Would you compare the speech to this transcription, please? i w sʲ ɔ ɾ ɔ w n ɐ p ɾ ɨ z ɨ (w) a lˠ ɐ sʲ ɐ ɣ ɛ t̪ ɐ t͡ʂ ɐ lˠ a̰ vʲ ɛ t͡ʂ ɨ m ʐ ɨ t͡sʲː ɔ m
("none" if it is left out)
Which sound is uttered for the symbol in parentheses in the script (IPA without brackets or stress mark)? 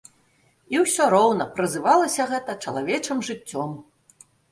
v